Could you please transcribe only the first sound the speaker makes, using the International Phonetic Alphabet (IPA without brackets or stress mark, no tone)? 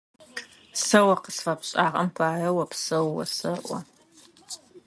s